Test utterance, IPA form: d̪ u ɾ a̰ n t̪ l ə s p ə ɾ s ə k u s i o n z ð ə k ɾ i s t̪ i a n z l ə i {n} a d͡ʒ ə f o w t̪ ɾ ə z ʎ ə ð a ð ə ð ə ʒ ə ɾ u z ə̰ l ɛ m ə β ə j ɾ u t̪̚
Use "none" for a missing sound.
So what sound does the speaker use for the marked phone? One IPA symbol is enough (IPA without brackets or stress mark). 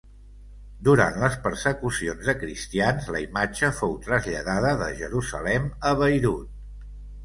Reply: m